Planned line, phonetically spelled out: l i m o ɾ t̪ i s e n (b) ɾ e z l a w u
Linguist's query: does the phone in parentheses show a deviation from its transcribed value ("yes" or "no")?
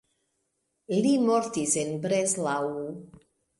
no